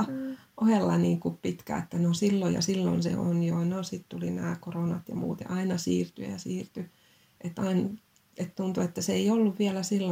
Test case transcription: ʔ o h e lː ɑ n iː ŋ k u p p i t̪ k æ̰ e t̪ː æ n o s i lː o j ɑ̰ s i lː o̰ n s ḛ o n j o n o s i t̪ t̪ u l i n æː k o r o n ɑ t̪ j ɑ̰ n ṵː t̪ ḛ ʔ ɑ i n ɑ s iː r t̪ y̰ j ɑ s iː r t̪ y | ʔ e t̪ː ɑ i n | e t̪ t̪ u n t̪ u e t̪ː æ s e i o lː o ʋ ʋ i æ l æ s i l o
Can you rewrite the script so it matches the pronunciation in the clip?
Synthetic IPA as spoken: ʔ o h e lː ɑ n iː ŋ k u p p i t̪ k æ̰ e t̪ː æ n o s i lː o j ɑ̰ s i lː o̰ n s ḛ o n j o n o s i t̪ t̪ u l i n æː k o r o n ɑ t̪ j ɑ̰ m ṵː t̪ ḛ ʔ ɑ i n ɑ s iː r t̪ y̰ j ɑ s iː r t̪ y | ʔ e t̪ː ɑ i n | e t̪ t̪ u n t̪ u e t̪ː æ s e i o lː u ʋ ʋ i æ l æ s i lː o